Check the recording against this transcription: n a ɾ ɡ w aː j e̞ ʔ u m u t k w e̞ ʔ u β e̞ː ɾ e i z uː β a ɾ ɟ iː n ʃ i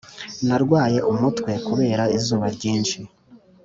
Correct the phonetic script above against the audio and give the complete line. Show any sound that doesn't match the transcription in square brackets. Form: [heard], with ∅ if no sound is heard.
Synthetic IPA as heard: n a ɾ ɡ w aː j e̞ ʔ u m u t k w e̞ [k] u β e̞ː ɾ [a] i z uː β a ɾ ɟ iː n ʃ i